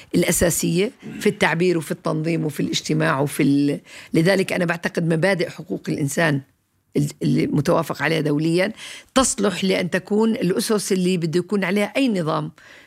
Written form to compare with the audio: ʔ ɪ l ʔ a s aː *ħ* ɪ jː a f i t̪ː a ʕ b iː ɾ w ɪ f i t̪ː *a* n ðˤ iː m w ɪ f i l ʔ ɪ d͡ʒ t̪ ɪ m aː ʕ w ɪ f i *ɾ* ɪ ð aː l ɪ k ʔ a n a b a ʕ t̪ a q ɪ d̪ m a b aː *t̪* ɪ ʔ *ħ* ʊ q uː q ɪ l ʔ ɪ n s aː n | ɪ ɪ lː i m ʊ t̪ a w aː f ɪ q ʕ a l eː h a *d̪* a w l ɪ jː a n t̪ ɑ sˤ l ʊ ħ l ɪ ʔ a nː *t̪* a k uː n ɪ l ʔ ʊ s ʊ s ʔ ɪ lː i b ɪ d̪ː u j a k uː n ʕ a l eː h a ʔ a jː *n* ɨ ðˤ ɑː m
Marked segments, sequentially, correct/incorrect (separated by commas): incorrect, incorrect, incorrect, incorrect, correct, correct, correct, correct